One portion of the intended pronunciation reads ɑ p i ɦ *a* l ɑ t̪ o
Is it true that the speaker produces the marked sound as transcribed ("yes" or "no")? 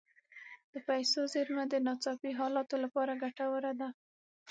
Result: no